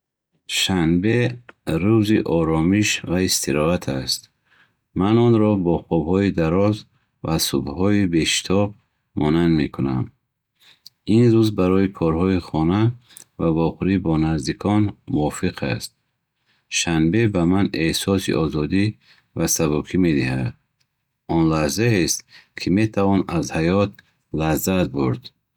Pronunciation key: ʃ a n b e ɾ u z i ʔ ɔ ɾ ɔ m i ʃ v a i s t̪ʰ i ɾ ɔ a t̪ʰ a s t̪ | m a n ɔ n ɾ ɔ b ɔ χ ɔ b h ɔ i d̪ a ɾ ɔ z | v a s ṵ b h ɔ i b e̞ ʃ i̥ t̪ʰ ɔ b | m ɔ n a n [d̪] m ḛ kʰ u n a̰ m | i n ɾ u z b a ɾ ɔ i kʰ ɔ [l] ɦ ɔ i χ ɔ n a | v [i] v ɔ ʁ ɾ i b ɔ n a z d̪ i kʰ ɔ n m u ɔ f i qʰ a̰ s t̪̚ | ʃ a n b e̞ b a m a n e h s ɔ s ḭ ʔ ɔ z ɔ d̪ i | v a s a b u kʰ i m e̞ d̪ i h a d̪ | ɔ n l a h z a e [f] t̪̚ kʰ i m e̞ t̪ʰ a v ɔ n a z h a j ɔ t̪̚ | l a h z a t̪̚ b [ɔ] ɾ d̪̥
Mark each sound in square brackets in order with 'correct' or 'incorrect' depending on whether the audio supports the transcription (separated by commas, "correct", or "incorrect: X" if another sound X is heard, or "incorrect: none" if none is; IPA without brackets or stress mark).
correct, incorrect: ɾ, incorrect: a, incorrect: s, incorrect: u